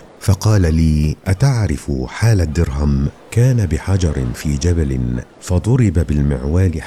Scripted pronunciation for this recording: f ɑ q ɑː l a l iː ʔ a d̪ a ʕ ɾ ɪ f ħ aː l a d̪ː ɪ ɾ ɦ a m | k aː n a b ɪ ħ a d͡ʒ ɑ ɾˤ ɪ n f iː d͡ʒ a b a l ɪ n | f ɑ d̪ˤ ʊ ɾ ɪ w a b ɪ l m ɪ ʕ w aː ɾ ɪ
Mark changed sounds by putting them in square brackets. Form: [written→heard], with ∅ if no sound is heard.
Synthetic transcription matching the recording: f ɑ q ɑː l a l iː ʔ a [d̪→t̪] a ʕ ɾ ɪ f ħ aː l a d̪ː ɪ ɾ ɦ a m | k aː n a b ɪ ħ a d͡ʒ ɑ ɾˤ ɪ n f iː d͡ʒ a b a l ɪ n | f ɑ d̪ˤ ʊ ɾ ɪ [w→b] a b ɪ l m ɪ ʕ w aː [ɾ→l] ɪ